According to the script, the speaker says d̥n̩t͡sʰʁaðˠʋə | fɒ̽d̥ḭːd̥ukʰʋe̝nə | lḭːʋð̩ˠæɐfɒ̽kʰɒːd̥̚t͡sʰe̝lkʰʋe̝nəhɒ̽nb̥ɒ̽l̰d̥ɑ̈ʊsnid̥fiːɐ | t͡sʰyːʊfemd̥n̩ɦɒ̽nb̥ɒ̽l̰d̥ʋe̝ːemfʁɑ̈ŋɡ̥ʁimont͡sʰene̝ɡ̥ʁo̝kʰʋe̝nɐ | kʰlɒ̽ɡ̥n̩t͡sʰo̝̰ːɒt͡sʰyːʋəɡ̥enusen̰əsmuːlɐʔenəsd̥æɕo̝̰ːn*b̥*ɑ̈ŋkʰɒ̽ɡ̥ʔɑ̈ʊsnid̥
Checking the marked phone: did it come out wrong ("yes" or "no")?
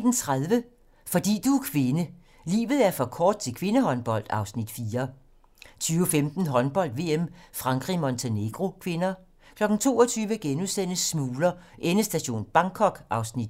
no